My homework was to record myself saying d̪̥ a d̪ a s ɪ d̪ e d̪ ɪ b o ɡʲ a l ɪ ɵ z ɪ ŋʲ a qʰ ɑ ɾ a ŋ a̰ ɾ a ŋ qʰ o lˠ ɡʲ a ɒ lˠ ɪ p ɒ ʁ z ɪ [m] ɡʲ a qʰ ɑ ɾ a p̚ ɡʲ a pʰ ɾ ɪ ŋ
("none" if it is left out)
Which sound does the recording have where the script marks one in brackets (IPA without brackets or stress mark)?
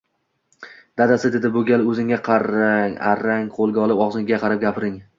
ŋ